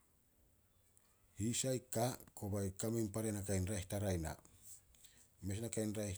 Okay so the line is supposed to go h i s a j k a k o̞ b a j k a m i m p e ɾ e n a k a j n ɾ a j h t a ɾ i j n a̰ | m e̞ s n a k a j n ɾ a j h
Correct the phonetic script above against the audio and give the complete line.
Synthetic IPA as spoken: h i s a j k a k o̞ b a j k a m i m p a ɾ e n a k a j n ɾ a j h t a ɾ a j n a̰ | m e̞ s n a k a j n ɾ a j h